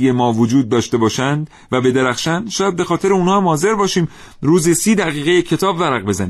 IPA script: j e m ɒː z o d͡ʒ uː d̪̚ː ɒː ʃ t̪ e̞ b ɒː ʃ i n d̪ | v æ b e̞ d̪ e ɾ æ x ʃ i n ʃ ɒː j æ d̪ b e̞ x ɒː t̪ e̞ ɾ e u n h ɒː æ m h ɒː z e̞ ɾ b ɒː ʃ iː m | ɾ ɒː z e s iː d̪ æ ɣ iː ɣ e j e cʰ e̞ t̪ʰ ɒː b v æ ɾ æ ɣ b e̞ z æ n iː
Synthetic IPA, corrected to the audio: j e m ɒː v o d͡ʒ uː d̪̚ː ɒː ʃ t̪ e̞ b ɒː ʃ æ n d̪ | v æ b e̞ d̪ e ɾ æ x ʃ æ n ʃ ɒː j æ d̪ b e̞ x ɒː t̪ e̞ ɾ e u n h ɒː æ m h ɒː z e̞ ɾ b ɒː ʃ iː m | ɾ uː z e s iː d̪ æ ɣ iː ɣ e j e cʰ e̞ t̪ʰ ɒː b v æ ɾ æ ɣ b e̞ z æ n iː